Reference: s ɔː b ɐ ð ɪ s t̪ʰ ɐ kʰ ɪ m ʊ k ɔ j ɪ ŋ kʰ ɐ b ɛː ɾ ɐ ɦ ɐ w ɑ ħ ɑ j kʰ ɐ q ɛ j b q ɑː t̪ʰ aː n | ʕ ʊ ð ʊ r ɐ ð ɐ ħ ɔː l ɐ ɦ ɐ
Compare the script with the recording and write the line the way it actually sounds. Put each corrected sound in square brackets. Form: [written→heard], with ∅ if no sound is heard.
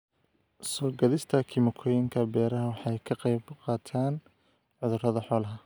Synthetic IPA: s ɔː [b→ɡ] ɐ ð ɪ s t̪ʰ ɐ kʰ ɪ m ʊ [k→kʰ] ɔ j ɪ ŋ kʰ ɐ b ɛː ɾ ɐ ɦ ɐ w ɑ ħ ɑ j kʰ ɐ q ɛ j b q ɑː t̪ʰ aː n | ʕ ʊ ð ʊ r ɐ ð ɐ ħ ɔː l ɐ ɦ ɐ